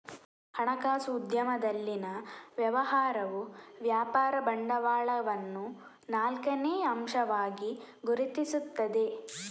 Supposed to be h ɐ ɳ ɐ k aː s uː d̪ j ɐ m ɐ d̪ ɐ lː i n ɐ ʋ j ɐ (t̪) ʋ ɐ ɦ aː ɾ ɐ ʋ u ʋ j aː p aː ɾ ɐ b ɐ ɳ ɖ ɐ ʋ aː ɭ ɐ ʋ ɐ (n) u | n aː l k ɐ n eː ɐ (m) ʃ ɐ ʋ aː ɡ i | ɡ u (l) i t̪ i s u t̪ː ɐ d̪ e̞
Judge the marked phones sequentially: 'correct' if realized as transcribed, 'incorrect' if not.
incorrect: none, incorrect: nː, correct, incorrect: ɾ

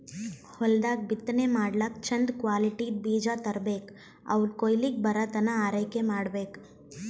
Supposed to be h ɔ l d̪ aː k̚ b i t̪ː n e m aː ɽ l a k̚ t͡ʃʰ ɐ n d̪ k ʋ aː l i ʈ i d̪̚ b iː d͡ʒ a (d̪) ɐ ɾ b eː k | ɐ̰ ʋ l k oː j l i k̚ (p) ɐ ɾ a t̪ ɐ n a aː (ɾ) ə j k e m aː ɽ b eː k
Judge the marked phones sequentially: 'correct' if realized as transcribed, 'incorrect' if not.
incorrect: t̪, incorrect: b, correct

